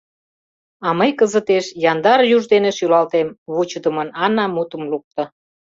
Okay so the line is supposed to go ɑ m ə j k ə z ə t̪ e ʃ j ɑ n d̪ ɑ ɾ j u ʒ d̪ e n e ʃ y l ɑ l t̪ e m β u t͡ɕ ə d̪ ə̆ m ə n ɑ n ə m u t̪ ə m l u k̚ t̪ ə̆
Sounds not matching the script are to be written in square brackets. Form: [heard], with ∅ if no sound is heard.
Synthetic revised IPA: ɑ m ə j k ə z ə t̪ e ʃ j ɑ n d̪ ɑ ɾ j u ʒ d̪ e n e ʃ y l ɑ l t̪ e m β u t͡ɕ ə d̪ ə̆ m ə n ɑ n [ɑ] m u t̪ ə m l u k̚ t̪ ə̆